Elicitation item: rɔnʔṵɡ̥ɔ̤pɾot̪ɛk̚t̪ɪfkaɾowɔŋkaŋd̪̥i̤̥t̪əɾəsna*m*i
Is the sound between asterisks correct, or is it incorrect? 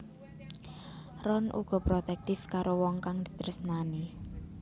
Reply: incorrect